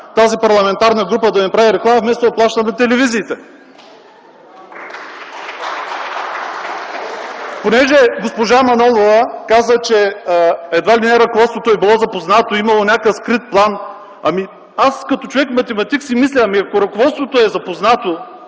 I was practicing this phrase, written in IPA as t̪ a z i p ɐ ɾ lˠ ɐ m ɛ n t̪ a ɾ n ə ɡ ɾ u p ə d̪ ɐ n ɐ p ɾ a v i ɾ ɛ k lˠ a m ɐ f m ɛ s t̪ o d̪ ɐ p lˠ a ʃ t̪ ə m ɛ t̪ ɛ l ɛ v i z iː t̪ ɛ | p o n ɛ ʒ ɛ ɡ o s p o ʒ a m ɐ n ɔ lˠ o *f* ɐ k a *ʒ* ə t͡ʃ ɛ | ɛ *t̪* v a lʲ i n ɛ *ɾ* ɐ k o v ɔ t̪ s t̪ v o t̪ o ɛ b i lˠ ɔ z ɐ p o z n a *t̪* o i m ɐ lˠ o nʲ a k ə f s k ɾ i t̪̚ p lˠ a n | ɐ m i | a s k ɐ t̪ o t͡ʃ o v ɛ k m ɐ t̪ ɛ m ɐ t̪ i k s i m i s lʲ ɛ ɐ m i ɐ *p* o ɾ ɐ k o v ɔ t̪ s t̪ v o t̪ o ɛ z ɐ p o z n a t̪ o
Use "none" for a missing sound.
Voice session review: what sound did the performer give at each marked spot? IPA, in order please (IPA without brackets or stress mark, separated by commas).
v, z, d̪, ɾ, t̪, k